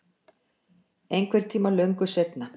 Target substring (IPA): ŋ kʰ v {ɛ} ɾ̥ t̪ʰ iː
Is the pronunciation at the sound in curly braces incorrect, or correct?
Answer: correct